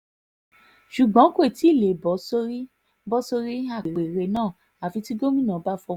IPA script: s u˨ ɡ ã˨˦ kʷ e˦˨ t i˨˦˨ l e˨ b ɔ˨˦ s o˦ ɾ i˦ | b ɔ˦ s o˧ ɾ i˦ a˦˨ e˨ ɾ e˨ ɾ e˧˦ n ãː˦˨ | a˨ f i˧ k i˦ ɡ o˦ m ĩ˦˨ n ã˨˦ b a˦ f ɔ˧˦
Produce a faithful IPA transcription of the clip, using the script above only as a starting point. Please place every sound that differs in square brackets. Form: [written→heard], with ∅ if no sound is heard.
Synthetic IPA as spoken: [s→ʃ] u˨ [ɡ→ɡ͡b] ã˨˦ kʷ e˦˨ t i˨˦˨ l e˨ b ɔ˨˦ s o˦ ɾ i˦ | b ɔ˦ s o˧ ɾ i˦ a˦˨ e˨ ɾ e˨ ɾ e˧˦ n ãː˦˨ | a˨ f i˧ [k→t] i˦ ɡ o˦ m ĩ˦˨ n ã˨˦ b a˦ f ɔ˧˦